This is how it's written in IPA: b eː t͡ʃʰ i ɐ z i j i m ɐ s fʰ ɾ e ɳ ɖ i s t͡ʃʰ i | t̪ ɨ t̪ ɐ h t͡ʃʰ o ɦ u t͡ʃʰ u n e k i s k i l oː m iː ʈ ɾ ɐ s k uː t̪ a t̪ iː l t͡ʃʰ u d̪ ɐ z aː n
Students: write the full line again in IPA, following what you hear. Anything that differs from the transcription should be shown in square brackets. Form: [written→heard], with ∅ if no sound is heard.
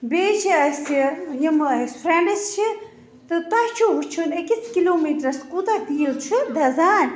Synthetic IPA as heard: b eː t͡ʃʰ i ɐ [z→s] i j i m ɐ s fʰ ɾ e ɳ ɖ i s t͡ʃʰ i | t̪ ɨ t̪ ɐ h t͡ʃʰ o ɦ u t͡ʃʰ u n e k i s k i l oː m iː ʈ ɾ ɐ s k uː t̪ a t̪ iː l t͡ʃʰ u d̪ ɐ z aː n

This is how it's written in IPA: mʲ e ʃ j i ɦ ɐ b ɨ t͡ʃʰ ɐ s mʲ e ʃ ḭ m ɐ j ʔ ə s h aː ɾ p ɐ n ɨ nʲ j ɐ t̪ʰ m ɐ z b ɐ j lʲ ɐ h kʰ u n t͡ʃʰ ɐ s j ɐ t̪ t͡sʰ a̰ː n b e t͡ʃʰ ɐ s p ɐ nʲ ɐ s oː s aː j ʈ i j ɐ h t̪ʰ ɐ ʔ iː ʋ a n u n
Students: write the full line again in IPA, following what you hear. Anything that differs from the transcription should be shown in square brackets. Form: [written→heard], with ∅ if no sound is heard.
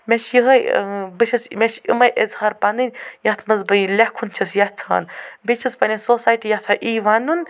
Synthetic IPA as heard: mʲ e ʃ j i ɦ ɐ b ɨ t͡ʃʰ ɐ s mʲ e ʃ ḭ m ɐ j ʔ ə [s→z] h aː ɾ p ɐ n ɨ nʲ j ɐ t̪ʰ m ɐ z b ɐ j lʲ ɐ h kʰ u n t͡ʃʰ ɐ s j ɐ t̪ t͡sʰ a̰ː n b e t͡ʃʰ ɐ s p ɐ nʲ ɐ s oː s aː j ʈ i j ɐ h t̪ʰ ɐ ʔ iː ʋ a n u n

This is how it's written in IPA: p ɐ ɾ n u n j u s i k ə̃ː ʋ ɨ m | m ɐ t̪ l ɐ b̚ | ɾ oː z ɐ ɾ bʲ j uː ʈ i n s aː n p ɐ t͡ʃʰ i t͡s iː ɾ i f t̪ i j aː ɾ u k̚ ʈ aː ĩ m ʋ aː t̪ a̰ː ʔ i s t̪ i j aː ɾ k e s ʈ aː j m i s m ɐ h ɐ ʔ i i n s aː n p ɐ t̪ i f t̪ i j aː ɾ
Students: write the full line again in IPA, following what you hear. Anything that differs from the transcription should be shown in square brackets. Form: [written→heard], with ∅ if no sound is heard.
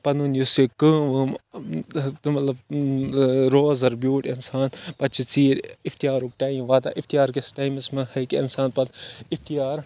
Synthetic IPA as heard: p ɐ [ɾ→∅] n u n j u s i k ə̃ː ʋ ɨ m | m ɐ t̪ l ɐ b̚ | ɾ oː z ɐ ɾ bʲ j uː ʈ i n s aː n p ɐ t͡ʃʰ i t͡s iː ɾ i f t̪ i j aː ɾ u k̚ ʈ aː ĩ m ʋ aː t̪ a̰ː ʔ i [s→f] t̪ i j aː ɾ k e s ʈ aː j m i s m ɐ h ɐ [ʔ→k] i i n s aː n p ɐ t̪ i f t̪ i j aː ɾ

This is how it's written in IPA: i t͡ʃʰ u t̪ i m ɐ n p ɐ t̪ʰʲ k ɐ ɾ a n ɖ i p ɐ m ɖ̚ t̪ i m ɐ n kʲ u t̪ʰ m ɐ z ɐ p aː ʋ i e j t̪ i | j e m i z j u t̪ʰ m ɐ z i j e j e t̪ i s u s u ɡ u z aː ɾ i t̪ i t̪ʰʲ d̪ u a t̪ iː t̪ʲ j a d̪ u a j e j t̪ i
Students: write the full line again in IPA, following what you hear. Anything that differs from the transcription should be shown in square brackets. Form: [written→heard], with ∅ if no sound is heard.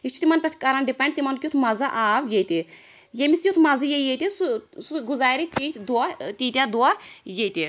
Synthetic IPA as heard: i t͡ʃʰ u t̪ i m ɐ n p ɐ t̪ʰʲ k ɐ ɾ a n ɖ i p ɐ [m→ɳ] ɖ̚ t̪ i m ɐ n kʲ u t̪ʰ m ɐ z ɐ [p→ʔ] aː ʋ [i→j] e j t̪ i | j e m i [z→s] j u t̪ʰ m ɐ z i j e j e t̪ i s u s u ɡ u z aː ɾ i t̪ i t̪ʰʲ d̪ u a t̪ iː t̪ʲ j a d̪ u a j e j t̪ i

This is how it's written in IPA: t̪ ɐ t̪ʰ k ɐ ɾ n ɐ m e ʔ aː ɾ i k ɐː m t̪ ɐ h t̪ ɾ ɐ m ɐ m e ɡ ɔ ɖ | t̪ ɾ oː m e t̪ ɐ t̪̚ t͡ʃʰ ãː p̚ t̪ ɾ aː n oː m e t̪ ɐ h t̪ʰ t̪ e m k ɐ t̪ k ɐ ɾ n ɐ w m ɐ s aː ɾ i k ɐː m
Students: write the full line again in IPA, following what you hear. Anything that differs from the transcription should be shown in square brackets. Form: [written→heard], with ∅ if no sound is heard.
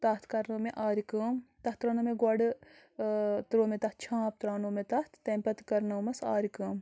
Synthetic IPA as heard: t̪ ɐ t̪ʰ k ɐ ɾ n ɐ m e ʔ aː ɾ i k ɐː m t̪ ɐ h t̪ ɾ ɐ [m→n] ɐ m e ɡ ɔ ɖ | t̪ ɾ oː m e t̪ ɐ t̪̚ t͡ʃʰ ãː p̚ t̪ ɾ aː n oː m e t̪ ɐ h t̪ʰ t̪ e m [k→p] ɐ t̪ k ɐ ɾ n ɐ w m ɐ s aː ɾ i k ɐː m

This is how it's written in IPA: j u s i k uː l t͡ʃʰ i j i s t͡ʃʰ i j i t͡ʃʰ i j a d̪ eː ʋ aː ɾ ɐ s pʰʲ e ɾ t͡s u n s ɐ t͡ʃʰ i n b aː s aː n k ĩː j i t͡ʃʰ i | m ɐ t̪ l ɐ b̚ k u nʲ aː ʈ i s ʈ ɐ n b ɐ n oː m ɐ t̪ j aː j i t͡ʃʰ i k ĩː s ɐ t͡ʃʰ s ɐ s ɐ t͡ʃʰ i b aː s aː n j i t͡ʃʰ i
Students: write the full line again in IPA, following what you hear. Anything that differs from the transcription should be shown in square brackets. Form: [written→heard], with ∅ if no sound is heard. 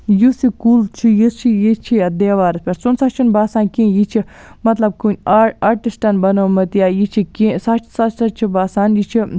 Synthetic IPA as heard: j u s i k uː l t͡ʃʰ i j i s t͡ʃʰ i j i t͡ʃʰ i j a d̪ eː ʋ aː ɾ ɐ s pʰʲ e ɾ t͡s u n s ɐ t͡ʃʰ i n b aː s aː n k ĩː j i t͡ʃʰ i | m ɐ t̪ l ɐ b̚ k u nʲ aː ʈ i s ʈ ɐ n b ɐ n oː m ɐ t̪ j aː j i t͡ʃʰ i k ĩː s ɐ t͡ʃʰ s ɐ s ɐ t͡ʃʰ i b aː s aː n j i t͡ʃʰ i

